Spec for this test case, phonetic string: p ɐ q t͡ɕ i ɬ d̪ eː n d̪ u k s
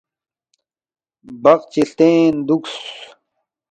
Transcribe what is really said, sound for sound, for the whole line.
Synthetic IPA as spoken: b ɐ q t͡ɕ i ɬ t̪ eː n d̪ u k s